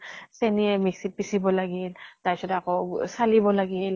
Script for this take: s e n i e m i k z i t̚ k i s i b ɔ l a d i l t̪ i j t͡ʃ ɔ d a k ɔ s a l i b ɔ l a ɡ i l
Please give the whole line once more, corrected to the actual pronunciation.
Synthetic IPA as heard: s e n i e m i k s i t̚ p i s i b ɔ l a ɡ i l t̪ a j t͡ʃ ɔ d a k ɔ s a l i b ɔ l a ɡ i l